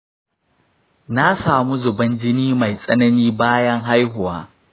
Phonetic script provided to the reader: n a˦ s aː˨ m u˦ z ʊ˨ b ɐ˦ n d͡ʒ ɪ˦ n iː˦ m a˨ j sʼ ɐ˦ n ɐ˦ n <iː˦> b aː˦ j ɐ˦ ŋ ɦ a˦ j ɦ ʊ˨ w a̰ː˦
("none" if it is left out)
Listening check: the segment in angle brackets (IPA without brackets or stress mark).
iː˦